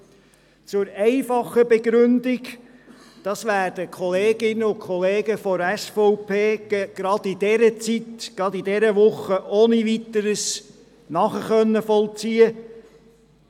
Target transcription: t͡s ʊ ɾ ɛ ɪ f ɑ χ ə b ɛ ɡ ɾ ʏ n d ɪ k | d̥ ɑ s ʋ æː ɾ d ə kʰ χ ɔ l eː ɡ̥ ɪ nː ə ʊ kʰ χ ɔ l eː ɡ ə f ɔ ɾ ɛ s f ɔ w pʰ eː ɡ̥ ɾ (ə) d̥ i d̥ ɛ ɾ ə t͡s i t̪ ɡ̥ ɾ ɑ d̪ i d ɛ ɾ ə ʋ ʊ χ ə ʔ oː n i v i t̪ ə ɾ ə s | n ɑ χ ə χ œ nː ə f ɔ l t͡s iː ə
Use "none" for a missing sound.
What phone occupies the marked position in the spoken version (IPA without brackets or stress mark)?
ɑ